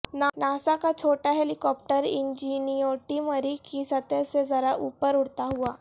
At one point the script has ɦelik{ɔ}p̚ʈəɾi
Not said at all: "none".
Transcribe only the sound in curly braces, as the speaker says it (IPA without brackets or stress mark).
ɔ